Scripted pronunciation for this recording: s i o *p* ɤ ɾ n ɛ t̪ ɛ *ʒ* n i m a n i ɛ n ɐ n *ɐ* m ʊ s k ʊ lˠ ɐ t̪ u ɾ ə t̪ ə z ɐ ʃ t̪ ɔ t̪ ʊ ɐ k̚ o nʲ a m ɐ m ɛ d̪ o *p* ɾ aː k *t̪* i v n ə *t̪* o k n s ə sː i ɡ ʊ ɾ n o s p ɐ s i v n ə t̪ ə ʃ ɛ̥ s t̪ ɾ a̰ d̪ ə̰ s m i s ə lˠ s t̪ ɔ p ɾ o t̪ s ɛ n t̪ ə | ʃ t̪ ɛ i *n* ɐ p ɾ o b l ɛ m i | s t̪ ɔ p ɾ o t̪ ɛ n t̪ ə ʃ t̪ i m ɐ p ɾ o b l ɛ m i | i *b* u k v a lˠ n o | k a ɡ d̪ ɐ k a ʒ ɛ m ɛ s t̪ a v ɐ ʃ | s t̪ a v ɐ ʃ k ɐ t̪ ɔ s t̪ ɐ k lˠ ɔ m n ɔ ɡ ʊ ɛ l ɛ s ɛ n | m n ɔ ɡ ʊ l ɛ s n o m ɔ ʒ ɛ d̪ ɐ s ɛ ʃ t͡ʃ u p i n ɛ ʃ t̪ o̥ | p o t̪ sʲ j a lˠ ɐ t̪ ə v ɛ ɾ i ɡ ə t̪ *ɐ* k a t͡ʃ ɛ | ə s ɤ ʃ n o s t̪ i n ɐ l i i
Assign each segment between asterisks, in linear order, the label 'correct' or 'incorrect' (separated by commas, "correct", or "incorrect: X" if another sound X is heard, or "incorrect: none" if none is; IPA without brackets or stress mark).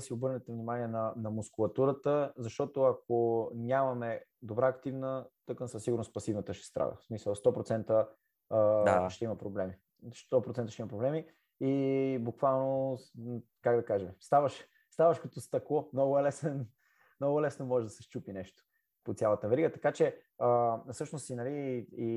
incorrect: b, incorrect: v, correct, incorrect: b, correct, correct, incorrect: m, correct, correct